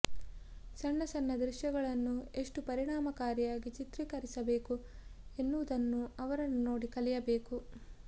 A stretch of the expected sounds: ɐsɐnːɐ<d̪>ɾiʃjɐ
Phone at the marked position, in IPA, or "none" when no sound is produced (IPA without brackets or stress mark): d̪